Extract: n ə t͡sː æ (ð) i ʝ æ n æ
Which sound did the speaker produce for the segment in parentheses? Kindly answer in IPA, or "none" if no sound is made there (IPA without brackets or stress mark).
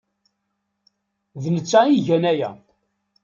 none